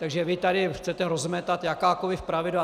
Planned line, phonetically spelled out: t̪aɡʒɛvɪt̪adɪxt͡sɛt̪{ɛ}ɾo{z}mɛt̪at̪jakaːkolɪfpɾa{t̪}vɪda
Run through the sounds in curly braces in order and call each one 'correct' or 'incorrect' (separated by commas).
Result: correct, correct, incorrect